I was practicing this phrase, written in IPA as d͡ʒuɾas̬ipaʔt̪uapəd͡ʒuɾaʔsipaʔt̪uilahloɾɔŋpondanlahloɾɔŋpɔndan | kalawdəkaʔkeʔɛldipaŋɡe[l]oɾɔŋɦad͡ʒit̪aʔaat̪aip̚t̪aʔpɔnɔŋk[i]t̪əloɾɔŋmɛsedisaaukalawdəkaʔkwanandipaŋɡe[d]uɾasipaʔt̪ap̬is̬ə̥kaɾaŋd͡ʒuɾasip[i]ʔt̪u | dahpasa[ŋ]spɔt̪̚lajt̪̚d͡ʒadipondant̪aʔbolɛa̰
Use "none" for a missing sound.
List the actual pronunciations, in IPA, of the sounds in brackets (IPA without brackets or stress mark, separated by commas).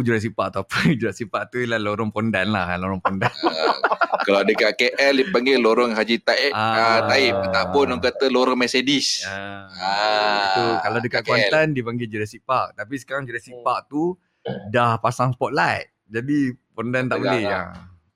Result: l, a, d͡ʒ, a, ŋ